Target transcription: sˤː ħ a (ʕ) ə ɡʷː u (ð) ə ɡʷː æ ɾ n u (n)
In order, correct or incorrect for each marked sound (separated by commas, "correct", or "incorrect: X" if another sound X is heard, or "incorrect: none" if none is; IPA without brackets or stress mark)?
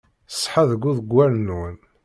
incorrect: ð, correct, correct